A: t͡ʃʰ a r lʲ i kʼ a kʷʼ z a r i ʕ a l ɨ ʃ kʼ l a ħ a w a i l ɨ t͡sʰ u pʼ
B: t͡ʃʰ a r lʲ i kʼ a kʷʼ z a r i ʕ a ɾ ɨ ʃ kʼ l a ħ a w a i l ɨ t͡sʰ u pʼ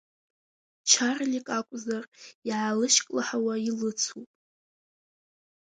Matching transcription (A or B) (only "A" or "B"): A